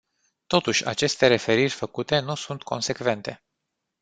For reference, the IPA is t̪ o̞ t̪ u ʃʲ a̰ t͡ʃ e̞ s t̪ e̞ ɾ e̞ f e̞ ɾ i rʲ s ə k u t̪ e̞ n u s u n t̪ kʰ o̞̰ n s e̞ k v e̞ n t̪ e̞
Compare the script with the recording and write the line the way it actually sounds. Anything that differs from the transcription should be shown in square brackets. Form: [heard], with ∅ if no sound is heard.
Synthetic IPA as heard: t̪ o̞ t̪ u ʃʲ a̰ t͡ʃ e̞ s t̪ e̞ ɾ e̞ f e̞ ɾ i rʲ [f] ə k u t̪ e̞ n u s u n t̪ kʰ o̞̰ n s e̞ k v e̞ n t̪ e̞